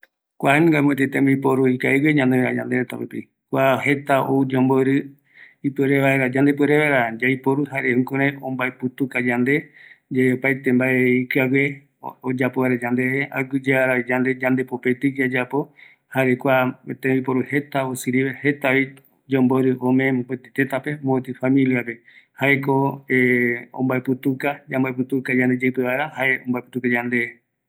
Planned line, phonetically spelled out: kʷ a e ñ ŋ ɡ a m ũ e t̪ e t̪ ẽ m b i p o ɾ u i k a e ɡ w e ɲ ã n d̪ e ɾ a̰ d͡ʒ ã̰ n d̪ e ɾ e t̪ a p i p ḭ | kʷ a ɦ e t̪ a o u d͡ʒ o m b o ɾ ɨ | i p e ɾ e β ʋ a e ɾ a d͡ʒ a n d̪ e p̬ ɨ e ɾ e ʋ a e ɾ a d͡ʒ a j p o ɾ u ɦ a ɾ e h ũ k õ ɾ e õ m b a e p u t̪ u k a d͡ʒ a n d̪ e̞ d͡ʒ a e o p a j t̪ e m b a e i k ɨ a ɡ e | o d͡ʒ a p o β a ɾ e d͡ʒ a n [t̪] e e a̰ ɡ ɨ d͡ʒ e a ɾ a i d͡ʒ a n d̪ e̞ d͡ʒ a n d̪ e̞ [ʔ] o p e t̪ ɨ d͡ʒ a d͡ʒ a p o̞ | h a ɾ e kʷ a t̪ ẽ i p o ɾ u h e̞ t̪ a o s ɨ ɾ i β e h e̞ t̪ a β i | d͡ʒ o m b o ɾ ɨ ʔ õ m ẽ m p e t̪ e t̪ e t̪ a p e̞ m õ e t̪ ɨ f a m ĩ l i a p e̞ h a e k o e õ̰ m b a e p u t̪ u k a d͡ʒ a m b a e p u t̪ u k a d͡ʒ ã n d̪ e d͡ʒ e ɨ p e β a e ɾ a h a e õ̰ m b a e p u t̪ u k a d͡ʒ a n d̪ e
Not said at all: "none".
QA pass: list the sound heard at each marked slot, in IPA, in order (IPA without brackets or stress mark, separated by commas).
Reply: d̪, p